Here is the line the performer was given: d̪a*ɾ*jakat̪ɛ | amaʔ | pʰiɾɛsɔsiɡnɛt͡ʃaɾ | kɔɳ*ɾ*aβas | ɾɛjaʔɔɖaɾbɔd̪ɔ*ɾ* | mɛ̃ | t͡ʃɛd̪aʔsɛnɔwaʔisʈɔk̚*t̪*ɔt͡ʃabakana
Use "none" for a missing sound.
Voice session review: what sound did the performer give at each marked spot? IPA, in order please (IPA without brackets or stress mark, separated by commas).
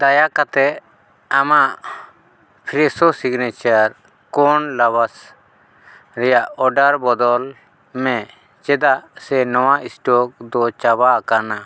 none, l, l, d̪